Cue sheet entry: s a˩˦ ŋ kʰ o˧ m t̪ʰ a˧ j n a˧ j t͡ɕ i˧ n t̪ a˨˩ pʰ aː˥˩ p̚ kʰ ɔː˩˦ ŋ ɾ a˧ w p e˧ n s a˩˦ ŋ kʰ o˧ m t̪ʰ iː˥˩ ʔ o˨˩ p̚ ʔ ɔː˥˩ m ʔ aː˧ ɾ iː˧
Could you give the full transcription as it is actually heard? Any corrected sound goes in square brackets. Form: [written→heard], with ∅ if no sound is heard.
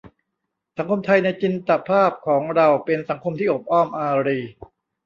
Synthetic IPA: s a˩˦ ŋ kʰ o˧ m t̪ʰ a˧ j n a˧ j t͡ɕ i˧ n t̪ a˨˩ pʰ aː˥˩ p̚ kʰ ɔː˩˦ ŋ ɾ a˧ w p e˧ n s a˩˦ ŋ kʰ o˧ m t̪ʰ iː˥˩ ʔ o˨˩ p̚ ʔ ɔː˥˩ m ʔ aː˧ ɾ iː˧

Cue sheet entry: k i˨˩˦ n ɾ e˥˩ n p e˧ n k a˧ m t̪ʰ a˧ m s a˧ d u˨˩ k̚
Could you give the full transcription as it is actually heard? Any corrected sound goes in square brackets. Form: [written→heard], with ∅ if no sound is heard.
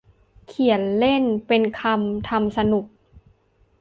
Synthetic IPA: [k→kʰ] i˨˩˦ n [ɾ→l] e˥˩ n p e˧ n [k→kʰ] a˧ m t̪ʰ a˧ m s a˧ [d→n] u˨˩ k̚

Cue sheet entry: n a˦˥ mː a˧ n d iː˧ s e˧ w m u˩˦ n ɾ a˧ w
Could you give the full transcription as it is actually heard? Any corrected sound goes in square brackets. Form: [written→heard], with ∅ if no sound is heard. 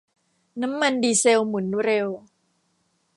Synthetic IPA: n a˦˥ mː a˧ n d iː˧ s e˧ w m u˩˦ n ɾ [a˧→e˧] w

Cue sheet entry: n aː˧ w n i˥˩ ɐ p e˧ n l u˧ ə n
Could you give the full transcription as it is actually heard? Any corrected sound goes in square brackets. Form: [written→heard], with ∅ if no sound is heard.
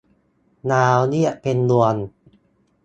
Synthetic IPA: n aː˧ w n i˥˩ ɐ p e˧ n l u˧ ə n

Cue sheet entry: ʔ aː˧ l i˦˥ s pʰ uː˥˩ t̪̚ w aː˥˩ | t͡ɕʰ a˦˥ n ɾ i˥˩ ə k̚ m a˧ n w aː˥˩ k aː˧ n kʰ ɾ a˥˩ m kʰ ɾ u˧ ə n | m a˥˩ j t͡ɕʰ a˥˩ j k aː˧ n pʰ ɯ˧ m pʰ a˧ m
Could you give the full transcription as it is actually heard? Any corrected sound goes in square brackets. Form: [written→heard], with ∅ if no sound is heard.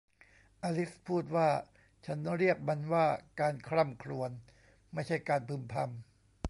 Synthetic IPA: ʔ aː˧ l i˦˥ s pʰ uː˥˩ t̪̚ w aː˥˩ | t͡ɕʰ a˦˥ n ɾ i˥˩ ə k̚ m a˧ n w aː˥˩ k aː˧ n kʰ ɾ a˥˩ m kʰ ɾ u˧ ə n | m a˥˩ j t͡ɕʰ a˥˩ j k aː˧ n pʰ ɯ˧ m pʰ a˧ m

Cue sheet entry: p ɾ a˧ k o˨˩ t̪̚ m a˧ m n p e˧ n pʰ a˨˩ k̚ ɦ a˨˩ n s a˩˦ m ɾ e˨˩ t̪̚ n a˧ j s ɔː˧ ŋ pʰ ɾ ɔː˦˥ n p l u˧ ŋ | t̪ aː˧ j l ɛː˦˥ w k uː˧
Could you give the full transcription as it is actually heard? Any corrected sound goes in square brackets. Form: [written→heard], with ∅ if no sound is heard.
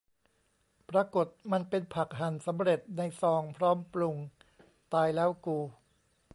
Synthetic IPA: p ɾ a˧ k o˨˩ t̪̚ m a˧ [m→∅] n p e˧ n pʰ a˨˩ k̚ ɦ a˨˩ n s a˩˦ m ɾ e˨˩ t̪̚ n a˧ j s ɔː˧ ŋ pʰ ɾ ɔː˦˥ [n→m] p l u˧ ŋ | t̪ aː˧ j l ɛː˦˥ w k uː˧

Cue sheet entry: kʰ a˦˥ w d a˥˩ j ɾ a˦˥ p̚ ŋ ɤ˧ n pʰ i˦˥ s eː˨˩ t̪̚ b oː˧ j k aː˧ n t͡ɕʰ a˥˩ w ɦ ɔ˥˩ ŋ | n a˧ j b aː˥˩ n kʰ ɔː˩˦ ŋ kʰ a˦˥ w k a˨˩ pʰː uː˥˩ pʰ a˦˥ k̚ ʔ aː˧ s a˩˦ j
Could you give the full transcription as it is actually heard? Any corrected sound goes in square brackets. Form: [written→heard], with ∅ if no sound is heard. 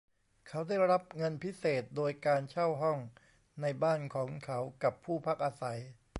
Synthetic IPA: kʰ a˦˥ w d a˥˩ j ɾ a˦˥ p̚ ŋ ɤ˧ n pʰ i˦˥ s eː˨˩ t̪̚ [b→d] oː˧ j k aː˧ n t͡ɕʰ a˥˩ w ɦ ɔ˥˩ ŋ | n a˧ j b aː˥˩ n kʰ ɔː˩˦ ŋ kʰ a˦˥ w k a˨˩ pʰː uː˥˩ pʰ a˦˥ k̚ ʔ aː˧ s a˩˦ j

